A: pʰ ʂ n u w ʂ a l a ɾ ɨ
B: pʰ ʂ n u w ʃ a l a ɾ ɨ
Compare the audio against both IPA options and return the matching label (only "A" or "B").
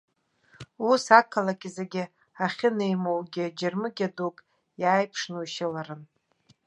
B